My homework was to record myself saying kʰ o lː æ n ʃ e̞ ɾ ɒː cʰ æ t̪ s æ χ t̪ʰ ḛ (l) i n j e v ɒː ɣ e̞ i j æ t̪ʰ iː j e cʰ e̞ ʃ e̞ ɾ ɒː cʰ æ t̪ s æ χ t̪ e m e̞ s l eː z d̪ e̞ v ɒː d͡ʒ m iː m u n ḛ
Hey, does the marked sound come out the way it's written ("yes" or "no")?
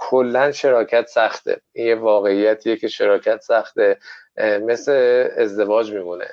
no